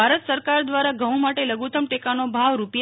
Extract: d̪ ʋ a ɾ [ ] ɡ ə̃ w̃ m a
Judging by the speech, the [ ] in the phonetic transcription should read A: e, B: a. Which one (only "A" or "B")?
B